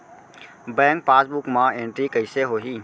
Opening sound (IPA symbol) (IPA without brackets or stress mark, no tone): b